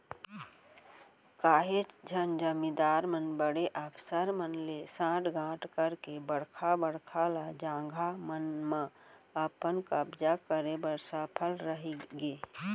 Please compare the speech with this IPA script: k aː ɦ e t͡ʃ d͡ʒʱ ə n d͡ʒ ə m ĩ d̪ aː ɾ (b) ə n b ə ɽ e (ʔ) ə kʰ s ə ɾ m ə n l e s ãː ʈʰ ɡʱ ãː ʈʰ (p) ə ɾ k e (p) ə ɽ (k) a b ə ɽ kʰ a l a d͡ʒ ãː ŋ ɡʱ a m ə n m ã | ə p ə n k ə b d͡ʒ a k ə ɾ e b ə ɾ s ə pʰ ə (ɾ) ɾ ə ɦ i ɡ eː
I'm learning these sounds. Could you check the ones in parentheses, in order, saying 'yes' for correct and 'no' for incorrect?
no, yes, no, no, no, no

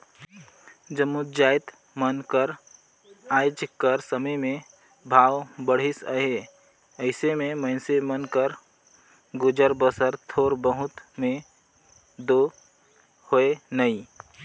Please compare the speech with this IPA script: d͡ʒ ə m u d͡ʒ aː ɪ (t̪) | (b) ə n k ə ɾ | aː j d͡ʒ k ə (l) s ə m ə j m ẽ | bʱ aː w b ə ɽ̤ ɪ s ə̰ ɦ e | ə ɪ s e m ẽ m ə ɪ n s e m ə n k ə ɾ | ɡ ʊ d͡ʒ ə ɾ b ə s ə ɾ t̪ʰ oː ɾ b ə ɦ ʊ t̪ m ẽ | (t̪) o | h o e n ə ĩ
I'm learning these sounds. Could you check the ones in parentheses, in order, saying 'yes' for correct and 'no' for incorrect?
yes, no, no, no

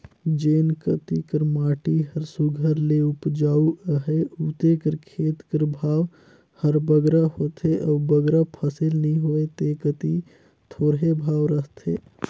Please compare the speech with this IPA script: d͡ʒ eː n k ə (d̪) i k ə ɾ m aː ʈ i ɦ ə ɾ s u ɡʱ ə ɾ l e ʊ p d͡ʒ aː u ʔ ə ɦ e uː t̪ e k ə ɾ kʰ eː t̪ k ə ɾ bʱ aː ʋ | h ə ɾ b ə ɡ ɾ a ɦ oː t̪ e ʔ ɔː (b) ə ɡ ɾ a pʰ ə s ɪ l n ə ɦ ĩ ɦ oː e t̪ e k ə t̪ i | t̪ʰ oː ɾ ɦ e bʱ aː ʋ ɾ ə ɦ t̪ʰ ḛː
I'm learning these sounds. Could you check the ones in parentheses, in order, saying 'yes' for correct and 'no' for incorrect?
no, yes

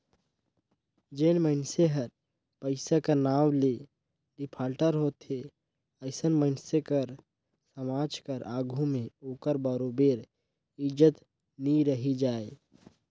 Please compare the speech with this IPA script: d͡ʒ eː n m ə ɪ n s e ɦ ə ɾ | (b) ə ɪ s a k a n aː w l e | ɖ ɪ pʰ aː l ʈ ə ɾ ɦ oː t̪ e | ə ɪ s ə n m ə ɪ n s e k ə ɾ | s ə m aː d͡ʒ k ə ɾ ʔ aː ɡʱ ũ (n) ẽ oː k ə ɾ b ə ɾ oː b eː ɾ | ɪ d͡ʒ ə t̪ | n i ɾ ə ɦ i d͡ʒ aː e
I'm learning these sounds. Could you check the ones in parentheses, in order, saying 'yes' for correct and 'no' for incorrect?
no, no

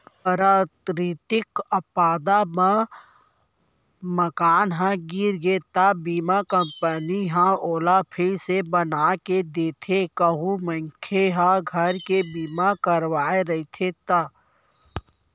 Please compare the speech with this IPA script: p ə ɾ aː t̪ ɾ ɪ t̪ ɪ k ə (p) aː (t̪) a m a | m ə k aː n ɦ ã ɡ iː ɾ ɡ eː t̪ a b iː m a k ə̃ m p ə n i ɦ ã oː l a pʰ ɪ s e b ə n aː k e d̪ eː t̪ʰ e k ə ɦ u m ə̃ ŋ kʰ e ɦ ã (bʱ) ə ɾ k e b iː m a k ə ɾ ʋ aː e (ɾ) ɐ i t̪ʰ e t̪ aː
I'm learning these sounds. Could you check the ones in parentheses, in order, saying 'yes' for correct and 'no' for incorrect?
yes, no, no, yes

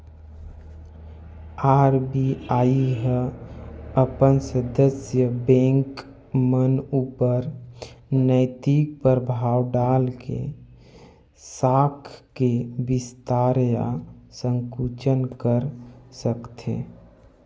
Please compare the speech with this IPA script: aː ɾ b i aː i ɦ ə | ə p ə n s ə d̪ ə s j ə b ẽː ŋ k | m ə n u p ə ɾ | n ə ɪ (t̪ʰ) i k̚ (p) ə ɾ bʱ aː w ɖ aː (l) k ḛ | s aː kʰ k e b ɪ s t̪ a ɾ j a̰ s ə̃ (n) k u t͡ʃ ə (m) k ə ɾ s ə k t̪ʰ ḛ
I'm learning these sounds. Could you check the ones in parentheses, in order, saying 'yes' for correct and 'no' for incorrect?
no, yes, yes, no, no

